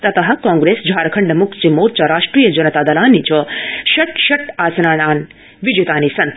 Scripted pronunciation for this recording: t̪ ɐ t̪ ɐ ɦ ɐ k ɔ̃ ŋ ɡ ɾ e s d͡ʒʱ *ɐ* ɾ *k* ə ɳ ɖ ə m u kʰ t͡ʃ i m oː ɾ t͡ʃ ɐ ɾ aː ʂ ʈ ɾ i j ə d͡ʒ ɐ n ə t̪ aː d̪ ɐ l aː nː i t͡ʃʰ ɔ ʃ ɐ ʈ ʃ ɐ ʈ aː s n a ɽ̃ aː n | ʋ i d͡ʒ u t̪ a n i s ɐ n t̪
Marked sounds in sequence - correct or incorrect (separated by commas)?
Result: incorrect, incorrect